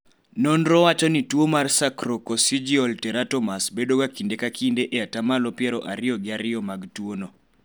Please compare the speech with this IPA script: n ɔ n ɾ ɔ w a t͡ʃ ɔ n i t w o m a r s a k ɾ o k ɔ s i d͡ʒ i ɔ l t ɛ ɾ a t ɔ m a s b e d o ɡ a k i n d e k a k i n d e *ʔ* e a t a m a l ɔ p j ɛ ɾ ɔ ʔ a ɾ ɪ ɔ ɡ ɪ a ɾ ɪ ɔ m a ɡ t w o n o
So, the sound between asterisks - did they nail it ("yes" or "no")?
yes